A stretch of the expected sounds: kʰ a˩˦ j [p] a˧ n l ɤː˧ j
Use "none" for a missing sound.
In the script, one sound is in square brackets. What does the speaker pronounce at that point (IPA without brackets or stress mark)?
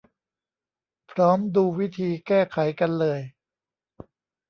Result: k